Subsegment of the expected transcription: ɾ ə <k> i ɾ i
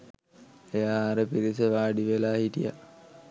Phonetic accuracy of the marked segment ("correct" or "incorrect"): incorrect